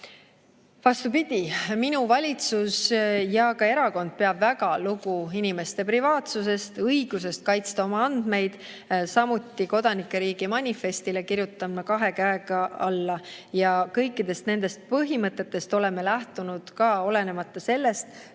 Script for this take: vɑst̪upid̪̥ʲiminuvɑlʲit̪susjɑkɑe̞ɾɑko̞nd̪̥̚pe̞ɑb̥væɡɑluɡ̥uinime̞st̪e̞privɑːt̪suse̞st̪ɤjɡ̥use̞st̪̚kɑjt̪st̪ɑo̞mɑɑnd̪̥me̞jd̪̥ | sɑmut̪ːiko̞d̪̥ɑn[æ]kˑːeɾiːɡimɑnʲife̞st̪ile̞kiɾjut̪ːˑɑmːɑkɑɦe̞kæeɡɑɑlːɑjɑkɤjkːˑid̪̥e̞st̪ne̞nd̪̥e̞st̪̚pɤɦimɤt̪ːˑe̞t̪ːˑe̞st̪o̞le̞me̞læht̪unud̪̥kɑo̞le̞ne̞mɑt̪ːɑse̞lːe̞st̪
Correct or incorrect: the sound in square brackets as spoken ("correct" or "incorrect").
incorrect